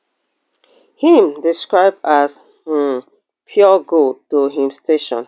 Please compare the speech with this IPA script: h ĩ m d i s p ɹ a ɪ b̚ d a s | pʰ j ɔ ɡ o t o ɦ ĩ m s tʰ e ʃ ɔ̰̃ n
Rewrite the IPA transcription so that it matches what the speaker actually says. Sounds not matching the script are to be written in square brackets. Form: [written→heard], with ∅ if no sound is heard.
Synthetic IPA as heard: h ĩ m d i s [p→k] ɹ a ɪ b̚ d a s | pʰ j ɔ ɡ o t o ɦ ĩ m s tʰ e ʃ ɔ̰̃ n